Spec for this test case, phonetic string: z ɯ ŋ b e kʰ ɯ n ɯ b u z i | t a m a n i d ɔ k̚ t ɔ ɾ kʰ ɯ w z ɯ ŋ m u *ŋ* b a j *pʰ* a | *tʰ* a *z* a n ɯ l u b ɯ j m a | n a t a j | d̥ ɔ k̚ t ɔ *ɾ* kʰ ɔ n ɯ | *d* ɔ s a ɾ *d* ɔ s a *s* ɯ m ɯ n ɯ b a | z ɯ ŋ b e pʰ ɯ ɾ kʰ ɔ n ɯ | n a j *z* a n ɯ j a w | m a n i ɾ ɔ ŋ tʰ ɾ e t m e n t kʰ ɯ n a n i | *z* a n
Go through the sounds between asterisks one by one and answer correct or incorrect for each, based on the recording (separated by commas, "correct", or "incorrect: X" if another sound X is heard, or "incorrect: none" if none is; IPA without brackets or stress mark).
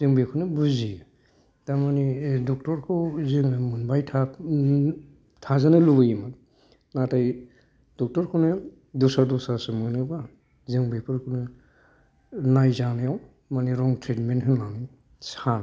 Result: incorrect: n, incorrect: tʰ, correct, correct, correct, correct, correct, correct, correct, incorrect: s